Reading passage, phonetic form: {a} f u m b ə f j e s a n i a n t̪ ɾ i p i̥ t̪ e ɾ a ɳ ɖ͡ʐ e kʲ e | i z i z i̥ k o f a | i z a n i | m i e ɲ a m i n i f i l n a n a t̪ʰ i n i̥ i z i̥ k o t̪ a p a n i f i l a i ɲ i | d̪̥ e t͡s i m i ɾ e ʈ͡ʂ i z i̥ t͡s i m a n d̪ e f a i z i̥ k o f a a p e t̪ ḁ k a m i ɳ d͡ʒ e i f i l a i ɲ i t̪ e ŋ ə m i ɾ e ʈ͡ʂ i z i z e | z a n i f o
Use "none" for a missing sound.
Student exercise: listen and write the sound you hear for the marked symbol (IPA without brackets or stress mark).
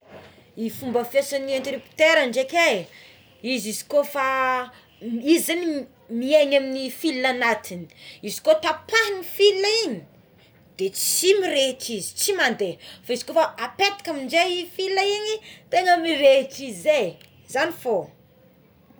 i